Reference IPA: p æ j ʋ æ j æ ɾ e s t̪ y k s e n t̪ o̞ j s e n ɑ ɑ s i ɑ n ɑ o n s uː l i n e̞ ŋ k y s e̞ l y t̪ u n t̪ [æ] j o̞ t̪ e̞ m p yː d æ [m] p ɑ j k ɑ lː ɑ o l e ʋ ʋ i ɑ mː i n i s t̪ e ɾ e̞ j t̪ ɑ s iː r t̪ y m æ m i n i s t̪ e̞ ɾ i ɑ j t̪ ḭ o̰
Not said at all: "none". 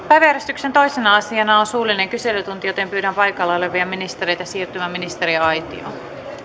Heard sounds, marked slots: i, m

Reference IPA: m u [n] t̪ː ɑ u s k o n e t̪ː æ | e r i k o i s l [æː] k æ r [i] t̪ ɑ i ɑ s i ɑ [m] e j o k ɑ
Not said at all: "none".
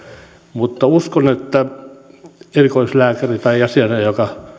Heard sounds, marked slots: none, æː, i, n

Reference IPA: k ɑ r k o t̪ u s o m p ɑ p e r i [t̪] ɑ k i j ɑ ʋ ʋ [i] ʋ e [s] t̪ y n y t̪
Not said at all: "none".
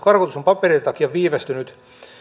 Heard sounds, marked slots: t̪, iː, s

